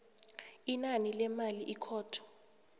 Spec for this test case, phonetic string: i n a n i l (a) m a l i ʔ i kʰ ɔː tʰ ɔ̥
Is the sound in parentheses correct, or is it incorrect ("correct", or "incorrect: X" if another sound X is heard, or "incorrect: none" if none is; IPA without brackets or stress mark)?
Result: incorrect: ɛ